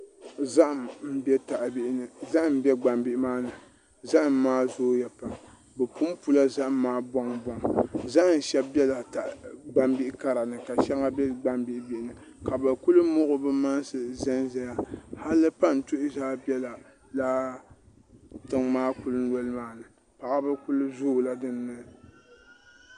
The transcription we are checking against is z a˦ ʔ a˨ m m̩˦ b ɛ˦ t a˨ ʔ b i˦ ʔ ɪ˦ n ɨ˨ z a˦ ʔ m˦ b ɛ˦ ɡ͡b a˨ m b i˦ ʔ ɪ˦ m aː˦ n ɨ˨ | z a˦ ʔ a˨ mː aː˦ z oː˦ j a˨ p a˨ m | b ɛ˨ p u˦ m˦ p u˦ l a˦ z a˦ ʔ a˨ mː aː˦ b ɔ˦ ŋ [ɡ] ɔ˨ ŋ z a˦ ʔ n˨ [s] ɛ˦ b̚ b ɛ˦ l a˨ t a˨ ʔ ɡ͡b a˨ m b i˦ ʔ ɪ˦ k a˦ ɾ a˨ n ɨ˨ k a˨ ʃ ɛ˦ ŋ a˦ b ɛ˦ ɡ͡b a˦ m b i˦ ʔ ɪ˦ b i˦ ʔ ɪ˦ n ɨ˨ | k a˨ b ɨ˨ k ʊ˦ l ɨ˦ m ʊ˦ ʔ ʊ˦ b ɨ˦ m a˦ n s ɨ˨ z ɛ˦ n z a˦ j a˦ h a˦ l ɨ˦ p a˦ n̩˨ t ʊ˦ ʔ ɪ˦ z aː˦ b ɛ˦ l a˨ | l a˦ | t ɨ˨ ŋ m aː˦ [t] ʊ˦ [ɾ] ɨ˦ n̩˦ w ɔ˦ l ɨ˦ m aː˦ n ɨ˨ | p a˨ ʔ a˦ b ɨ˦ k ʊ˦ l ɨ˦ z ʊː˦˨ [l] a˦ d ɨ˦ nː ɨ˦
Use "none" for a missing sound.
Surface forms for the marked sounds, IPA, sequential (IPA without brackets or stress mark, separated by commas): b, ʃ, k, l, l